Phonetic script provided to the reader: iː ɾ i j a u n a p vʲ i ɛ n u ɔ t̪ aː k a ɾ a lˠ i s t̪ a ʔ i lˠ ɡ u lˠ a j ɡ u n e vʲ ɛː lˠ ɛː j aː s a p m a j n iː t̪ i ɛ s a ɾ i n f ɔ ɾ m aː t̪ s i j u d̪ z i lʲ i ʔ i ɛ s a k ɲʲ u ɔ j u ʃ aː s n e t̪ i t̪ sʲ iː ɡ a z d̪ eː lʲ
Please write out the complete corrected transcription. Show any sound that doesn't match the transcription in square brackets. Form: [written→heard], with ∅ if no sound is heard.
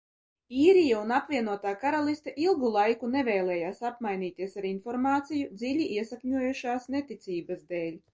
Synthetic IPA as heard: iː ɾ i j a u n a p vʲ i ɛ n u ɔ t̪ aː k a ɾ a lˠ i s t̪ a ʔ i lˠ ɡ u lˠ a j [ɡ→k] u n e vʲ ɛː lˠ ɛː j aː s a p m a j n iː t̪ i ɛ s a ɾ i n f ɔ ɾ m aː t̪ s i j u d̪ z i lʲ i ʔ i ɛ s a k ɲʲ u ɔ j u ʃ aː s n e t̪ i t̪ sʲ iː [ɡ→b] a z d̪ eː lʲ

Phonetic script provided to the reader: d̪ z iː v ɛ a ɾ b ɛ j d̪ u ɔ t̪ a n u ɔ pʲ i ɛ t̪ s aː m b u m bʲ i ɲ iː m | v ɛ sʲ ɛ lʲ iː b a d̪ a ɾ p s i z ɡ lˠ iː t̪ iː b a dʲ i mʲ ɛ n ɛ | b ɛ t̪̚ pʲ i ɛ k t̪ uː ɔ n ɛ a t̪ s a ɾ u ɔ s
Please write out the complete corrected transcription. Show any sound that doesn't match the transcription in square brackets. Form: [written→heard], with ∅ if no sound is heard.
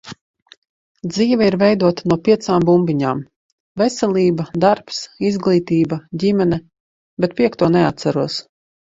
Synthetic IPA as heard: d̪ z iː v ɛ [a→i] ɾ [b→v] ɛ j d̪ u ɔ t̪ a n u ɔ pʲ i ɛ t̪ s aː m b u m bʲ i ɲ [iː→aː] m | v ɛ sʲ ɛ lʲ iː b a d̪ a ɾ p s i z ɡ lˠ iː t̪ iː b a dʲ i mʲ ɛ n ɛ | b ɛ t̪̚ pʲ i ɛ k t̪ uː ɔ n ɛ a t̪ s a ɾ u ɔ s

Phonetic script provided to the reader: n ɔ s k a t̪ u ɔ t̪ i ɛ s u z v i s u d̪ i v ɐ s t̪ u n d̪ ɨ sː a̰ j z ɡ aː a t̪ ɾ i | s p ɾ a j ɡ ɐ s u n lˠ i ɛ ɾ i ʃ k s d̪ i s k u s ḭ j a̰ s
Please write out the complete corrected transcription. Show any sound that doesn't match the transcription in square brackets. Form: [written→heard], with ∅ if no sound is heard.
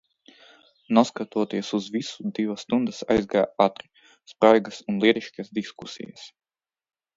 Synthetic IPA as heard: n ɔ s k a t̪ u ɔ t̪ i ɛ s u z v i s u d̪ i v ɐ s t̪ u n d̪ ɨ [sː→s] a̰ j z ɡ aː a t̪ ɾ i | s p ɾ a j ɡ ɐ s u n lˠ i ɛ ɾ i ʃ k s d̪ i s k u s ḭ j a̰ s

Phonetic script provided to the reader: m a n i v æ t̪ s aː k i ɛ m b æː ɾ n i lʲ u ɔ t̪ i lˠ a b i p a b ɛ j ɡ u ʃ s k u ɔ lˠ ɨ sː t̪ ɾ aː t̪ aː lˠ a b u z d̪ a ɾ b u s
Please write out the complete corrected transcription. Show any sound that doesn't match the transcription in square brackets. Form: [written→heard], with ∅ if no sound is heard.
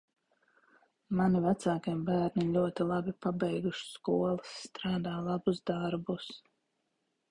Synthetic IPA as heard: m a n i v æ t̪ s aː k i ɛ m b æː ɾ n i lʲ u ɔ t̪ i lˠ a b i p a b ɛ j ɡ u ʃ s k u ɔ lˠ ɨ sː t̪ ɾ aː [t̪→d̪] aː lˠ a b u z d̪ a ɾ b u s

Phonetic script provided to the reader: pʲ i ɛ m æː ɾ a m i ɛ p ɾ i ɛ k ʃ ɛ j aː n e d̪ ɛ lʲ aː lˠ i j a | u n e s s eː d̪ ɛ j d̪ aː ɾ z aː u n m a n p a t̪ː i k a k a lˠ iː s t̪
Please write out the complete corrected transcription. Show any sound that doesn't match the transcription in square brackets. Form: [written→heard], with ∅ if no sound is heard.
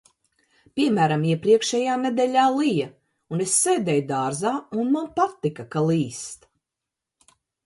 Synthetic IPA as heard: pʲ i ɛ m æː ɾ a m i ɛ p ɾ i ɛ k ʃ ɛ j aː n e d̪ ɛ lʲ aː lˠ i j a | u n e s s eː d̪ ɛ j d̪ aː ɾ z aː u n m a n p a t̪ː i k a k a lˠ iː s t̪

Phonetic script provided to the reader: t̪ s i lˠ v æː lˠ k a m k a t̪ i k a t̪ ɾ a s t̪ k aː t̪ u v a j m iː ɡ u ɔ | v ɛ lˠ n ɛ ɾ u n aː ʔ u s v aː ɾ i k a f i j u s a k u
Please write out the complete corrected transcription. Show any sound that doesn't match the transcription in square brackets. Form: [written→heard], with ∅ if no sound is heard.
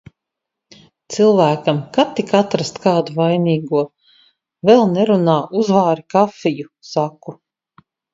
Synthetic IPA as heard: t̪ s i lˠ v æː [lˠ→∅] k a m k a t̪ i k a t̪ ɾ a s t̪ k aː [t̪→d̪] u v a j [m→n] iː ɡ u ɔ | v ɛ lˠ n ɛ ɾ u n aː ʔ u [s→z] v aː ɾ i k a f i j u s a k u

